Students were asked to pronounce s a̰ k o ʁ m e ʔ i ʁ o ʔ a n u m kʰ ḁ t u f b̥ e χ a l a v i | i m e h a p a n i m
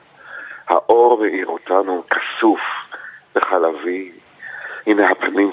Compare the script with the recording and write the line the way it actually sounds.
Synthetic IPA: h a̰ ʔ o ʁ m e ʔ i ʁ o t a n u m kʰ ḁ s u f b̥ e χ a l a v i | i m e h a p a n i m